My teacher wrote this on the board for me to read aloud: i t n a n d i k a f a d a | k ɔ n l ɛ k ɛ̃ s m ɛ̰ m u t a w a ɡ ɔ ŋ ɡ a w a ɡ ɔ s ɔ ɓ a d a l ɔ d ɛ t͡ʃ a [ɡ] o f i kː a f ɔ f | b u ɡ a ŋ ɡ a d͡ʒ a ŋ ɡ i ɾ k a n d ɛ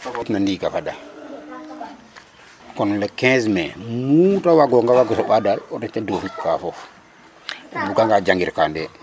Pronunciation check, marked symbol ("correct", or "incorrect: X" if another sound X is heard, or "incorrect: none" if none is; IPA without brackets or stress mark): incorrect: d